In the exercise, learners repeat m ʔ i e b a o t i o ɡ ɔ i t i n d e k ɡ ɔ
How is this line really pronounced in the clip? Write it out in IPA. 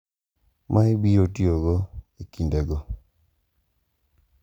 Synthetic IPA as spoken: m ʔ a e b i o t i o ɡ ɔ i k i n d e ɡ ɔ